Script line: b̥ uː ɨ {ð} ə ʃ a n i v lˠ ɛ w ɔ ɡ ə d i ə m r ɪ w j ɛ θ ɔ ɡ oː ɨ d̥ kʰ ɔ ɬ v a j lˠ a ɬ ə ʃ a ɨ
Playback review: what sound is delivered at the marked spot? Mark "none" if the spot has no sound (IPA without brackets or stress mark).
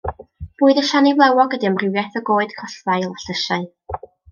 ð